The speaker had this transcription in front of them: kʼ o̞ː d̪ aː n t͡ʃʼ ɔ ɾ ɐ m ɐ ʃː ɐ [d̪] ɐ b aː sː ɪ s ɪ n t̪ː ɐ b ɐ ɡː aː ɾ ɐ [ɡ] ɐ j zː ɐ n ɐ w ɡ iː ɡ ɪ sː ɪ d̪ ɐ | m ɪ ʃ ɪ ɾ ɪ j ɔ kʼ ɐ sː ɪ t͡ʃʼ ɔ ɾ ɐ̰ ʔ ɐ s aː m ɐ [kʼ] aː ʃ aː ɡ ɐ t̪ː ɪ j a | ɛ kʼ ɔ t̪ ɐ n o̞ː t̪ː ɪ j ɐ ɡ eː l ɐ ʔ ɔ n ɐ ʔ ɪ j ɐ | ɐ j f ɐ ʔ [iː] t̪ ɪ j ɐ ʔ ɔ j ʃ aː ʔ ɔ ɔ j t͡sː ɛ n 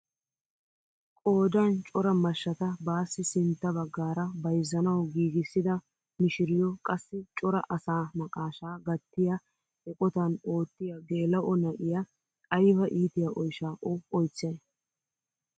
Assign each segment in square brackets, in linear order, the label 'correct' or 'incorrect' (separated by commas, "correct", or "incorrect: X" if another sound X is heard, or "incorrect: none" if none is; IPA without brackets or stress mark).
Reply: incorrect: t̪, incorrect: b, correct, correct